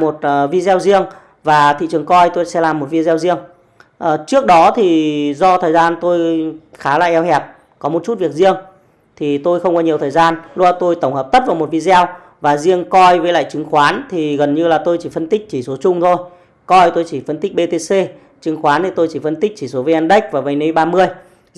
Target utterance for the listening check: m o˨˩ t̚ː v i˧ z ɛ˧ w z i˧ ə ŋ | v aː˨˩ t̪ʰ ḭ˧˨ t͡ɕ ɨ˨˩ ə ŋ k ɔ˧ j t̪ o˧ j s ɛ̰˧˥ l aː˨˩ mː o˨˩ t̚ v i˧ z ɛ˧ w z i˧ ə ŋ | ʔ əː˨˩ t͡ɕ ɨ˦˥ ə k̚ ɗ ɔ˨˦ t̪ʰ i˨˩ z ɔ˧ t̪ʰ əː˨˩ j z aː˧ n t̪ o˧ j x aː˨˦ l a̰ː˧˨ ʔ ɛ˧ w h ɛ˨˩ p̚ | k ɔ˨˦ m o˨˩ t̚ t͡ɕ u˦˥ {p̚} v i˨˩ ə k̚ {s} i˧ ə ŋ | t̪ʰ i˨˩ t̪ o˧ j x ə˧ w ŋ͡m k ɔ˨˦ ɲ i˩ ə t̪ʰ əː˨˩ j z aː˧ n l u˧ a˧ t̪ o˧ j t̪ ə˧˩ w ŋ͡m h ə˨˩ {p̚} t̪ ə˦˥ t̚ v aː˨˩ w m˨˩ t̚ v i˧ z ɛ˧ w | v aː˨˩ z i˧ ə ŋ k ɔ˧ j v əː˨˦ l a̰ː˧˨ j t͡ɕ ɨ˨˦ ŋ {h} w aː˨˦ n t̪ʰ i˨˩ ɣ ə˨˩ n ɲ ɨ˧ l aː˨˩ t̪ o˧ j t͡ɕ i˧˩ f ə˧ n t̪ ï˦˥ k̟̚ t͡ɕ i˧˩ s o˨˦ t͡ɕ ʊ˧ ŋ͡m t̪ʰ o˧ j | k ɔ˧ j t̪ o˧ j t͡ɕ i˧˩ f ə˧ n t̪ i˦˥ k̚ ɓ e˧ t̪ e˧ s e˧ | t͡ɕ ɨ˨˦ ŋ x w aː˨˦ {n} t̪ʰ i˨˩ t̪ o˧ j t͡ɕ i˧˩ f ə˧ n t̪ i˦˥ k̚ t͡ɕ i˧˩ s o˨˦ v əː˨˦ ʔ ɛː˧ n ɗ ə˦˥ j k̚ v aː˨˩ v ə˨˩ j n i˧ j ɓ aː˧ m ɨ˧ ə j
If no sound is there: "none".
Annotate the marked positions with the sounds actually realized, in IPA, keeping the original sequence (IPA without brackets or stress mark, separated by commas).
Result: t̚, z, p̚, x, n